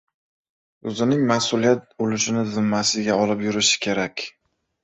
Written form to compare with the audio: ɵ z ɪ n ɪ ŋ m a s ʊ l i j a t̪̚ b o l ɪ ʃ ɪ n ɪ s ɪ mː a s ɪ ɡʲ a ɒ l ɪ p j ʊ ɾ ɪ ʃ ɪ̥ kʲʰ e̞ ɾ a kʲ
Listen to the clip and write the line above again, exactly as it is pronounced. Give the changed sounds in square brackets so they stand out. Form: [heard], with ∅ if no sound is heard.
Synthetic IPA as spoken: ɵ z ɪ n ɪ ŋ m a s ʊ l i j a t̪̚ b o l ɪ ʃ ɪ n ɪ [z] ɪ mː a s ɪ ɡʲ a ɒ l ɪ p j ʊ ɾ ɪ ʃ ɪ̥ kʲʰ e̞ ɾ a kʲ